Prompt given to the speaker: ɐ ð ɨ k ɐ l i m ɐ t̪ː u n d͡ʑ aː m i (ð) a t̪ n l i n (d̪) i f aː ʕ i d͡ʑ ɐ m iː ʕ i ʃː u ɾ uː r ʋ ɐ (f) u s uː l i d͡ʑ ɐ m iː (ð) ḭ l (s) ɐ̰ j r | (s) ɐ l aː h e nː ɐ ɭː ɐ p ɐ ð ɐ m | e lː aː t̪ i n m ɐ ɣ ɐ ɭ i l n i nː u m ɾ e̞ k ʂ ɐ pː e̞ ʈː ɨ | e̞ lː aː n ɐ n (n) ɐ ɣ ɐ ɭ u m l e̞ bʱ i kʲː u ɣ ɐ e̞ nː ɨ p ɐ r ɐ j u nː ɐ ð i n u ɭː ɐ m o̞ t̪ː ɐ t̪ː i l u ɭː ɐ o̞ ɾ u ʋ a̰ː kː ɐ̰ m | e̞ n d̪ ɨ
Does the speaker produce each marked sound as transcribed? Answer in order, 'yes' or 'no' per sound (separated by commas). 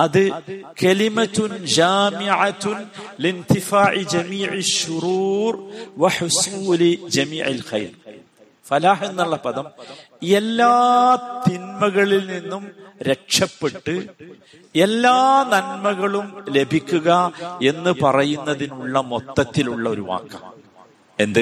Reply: no, no, no, no, no, no, no